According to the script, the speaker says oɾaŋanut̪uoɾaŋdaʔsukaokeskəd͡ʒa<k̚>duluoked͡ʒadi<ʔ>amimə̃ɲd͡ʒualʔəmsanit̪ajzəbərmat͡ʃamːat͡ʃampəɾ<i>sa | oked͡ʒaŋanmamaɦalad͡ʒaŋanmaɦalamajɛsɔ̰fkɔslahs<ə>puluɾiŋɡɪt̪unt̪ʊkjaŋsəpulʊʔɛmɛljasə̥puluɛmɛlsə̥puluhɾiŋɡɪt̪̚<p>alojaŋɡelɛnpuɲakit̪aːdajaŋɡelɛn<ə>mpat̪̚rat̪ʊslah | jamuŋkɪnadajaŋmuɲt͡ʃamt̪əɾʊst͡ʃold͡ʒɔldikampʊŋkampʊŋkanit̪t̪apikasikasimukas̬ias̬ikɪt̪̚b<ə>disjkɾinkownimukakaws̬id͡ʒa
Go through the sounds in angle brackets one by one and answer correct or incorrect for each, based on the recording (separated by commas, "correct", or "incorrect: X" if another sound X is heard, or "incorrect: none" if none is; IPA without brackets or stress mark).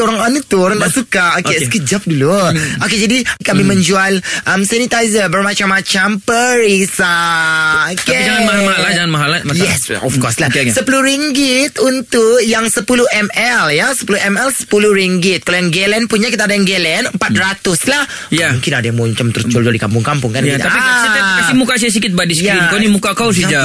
incorrect: p̚, incorrect: k, correct, correct, incorrect: k, correct, incorrect: a